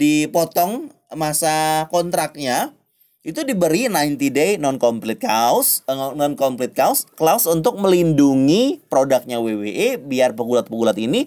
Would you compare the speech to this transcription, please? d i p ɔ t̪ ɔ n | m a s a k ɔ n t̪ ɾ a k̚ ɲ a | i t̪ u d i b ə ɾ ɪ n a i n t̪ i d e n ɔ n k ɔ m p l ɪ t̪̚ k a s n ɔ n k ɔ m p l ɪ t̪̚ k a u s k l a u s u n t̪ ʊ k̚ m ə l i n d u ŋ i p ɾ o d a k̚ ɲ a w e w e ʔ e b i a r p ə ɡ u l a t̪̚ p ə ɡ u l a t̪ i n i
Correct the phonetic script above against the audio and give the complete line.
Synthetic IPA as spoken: d i p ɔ t̪ ɔ ŋ | m a s a k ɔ n t̪ ɾ a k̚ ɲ a | i t̪ u d i b ə ɾ i n a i n t̪ i d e n ɔ n k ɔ m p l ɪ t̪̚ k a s n ɔ n k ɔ m p l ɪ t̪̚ k a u s k l a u s u n t̪ ʊ k̚ m ə l i n d u ŋ i p ɾ o d a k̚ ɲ a w e w e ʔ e b i a r p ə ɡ u l a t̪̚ p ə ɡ u l a t̪ i n i